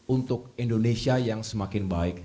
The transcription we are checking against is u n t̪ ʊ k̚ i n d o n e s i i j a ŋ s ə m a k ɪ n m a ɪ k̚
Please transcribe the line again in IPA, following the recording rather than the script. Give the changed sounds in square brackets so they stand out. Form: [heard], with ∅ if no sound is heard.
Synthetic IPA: u n t̪ ʊ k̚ i n d o n e s i [a] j a ŋ s ə m a k ɪ n [b] a ɪ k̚

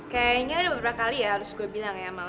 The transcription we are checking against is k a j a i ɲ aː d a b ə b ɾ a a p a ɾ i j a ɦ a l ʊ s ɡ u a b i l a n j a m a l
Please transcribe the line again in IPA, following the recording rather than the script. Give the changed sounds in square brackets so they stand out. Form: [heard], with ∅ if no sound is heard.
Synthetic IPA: k a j a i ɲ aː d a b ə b ɾ a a [k] a [l] i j a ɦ a [ɾ] ʊ s ɡ u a b i l a [ŋ] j a m a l

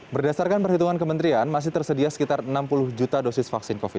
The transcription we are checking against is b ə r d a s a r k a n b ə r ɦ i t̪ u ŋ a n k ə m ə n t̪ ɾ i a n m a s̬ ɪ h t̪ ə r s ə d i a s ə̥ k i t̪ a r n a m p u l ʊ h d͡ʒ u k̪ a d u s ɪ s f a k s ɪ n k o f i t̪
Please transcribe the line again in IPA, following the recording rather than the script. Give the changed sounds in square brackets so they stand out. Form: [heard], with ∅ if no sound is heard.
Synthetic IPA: b ə r d a s a r k a n [p] ə r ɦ i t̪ u ŋ a n k ə m ə n t̪ ɾ i a n m a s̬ ɪ h t̪ ə r s ə d i a s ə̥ k i t̪ a r n a m p u l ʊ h d͡ʒ u [t̪] a d [o] s ɪ s f a k s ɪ n k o f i t̪

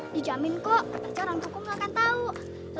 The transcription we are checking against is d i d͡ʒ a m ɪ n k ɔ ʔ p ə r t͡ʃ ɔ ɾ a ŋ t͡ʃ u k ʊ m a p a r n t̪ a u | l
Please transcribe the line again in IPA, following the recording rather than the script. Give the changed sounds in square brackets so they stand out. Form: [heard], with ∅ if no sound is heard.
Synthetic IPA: d i d͡ʒ a m ɪ n k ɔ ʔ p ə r t͡ʃ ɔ ɾ a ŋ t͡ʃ u k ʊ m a [k] a [∅] n t̪ a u | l

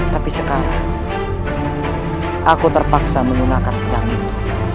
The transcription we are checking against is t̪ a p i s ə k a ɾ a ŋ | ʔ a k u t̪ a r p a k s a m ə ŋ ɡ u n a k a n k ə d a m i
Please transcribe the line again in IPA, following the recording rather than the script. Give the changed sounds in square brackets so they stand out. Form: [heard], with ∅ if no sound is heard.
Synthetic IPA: t̪ a p i s ə k a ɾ a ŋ | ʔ a k u t̪ [ə] r p a k s a m ə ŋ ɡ u n a k a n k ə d a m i

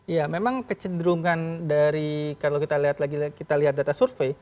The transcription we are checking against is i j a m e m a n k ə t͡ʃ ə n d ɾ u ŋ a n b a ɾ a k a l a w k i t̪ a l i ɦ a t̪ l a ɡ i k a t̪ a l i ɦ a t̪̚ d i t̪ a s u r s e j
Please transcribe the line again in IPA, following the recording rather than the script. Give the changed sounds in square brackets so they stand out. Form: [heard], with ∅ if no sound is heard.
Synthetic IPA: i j a m e m a [ŋ] k ə t͡ʃ ə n d ɾ u ŋ a n [d] a ɾ [i] k a l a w k i t̪ a l i ɦ a t̪ l a ɡ i k [i] t̪ a l i ɦ a t̪̚ d [a] t̪ a s u r [f] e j

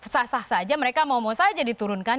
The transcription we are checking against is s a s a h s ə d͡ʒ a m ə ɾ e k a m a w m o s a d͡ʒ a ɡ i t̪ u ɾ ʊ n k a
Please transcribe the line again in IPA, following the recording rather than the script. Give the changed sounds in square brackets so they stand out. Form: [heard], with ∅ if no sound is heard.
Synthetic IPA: s a s a h s [a] d͡ʒ a m ə ɾ e k a m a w m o s a d͡ʒ a [d] i t̪ u ɾ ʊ n k a

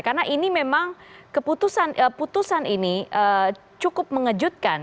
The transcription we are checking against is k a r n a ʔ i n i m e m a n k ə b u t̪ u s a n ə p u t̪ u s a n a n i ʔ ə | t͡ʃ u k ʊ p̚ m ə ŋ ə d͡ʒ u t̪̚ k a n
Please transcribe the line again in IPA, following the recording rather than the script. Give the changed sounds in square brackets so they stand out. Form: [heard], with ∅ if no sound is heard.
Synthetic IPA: k a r n a ʔ i n i m e m a [ŋ] k ə [p] u t̪ u s a n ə p u t̪ u s a n [i] n i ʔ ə | t͡ʃ u k ʊ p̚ m ə ŋ ə d͡ʒ u t̪̚ k a n

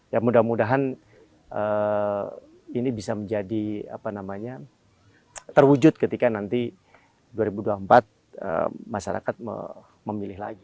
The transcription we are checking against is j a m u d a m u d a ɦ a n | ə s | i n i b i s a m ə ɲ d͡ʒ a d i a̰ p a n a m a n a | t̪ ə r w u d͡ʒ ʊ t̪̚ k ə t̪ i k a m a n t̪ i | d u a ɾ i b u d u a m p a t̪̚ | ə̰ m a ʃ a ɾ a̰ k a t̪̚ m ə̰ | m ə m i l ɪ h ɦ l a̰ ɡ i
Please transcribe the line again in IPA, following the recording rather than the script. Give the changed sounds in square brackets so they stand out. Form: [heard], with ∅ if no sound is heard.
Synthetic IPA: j a m u d a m u d a ɦ a n | ə [∅] | i n i b i s a m ə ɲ d͡ʒ a d i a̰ p a n a m a [ɲ] a | t̪ ə r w u d͡ʒ ʊ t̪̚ k ə t̪ i k a [n] a n t̪ i | d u a ɾ i b u d u a m p a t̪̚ | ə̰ m a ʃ a ɾ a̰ k a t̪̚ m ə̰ | m ə m i l ɪ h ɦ l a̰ ɡ i

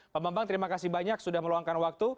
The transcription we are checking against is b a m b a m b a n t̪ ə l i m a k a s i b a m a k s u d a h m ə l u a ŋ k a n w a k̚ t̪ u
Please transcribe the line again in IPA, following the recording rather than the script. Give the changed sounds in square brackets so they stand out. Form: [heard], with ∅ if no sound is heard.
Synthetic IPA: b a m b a m b a [ŋ] t̪ ə [ɾ] i m a k a s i b a [ɲ] a k s u d a h m ə l u a ŋ k a n w a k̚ t̪ u

